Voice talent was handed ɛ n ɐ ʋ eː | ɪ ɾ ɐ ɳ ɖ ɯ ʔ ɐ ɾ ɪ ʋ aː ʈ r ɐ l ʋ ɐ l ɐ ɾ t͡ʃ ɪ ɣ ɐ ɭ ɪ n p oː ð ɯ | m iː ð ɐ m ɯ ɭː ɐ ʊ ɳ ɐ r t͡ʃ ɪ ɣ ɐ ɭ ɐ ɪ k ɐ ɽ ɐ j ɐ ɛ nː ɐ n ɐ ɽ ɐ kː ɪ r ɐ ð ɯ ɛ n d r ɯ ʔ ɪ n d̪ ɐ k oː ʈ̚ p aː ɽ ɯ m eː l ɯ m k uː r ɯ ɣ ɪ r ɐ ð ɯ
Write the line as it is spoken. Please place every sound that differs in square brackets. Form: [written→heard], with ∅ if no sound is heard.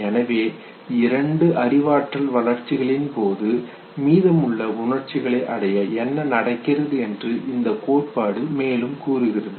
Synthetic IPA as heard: ɛ n ɐ ʋ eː | ɪ ɾ ɐ ɳ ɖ ɯ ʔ ɐ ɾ ɪ ʋ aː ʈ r ɐ l ʋ ɐ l ɐ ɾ t͡ʃ ɪ ɣ ɐ ɭ ɪ n p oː ð ɯ | m iː ð ɐ m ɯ ɭː ɐ ʊ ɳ ɐ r t͡ʃ ɪ ɣ ɐ ɭ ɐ ɪ [k→ʔ] ɐ ɽ ɐ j ɐ ɛ nː ɐ n ɐ ɽ ɐ kː ɪ r ɐ ð ɯ ɛ n d r ɯ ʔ ɪ n d̪ ɐ k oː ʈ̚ p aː ɽ ɯ m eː l ɯ m k uː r ɯ ɣ ɪ r ɐ ð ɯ

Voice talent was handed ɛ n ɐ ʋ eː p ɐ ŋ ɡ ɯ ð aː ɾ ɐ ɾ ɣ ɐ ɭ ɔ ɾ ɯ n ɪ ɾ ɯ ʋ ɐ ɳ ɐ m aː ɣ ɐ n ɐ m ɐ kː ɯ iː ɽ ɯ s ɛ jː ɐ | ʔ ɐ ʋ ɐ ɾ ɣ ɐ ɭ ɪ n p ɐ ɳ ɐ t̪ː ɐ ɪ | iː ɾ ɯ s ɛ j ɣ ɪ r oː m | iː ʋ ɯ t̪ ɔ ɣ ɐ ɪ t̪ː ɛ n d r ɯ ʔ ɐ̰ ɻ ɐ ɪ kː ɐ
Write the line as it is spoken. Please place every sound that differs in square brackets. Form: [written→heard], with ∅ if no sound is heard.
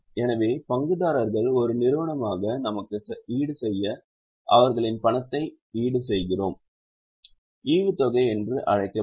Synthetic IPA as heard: ɛ n ɐ ʋ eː p ɐ ŋ ɡ ɯ ð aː ɾ ɐ ɾ ɣ ɐ ɭ ɔ ɾ ɯ n ɪ ɾ ɯ ʋ ɐ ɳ ɐ m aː ɣ ɐ n ɐ m ɐ kː ɯ iː ɽ ɯ s ɛ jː ɐ | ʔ ɐ ʋ ɐ ɾ ɣ ɐ ɭ ɪ n p ɐ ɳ ɐ t̪ː ɐ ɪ | iː [ɾ→ɽ] ɯ s ɛ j ɣ ɪ r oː m | iː ʋ ɯ t̪ ɔ ɣ ɐ ɪ [t̪ː→∅] ɛ n d r ɯ ʔ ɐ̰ ɻ ɐ ɪ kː ɐ

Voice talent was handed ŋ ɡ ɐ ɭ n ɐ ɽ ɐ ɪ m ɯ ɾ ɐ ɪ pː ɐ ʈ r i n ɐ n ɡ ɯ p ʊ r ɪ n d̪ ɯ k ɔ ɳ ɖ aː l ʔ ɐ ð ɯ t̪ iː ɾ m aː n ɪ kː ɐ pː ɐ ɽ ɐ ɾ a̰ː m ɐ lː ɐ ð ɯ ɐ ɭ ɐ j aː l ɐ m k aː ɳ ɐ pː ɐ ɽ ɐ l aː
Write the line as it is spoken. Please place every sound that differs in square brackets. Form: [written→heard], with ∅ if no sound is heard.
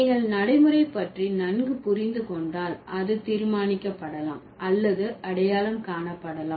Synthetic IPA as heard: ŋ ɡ ɐ ɭ n ɐ ɽ ɐ ɪ m ɯ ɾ ɐ ɪ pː ɐ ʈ r i n ɐ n ɡ ɯ p ʊ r ɪ n d̪ ɯ k ɔ ɳ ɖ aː l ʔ ɐ ð ɯ t̪ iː ɾ m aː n ɪ kː ɐ pː ɐ ɽ ɐ [ɾ→l] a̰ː m ɐ lː ɐ ð ɯ ɐ [ɭ→ɽ] ɐ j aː l ɐ m k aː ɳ ɐ pː ɐ ɽ ɐ l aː

